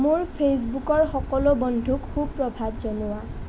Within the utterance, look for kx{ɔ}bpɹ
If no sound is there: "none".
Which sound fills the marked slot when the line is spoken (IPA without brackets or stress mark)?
u